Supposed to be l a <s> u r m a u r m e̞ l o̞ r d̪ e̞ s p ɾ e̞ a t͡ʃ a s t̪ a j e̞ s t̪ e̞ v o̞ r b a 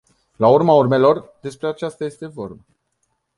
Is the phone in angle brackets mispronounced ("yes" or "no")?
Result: yes